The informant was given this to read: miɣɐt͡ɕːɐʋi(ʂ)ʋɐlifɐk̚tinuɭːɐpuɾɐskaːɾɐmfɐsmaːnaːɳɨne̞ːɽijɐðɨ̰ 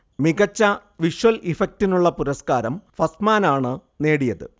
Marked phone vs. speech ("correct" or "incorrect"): correct